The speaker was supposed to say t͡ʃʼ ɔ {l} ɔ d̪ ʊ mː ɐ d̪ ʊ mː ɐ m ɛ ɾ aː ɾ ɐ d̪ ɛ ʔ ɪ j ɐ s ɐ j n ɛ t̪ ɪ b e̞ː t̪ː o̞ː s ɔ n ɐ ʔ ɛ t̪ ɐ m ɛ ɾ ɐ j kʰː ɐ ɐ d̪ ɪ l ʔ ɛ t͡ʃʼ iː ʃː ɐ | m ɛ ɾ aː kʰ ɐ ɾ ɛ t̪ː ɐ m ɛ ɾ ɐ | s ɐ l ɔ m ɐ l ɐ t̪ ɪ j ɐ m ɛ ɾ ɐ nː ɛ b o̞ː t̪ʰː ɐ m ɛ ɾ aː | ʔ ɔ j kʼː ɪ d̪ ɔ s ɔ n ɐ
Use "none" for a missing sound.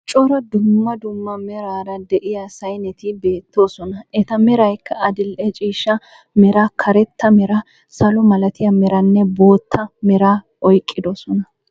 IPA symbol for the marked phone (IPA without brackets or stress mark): ɾ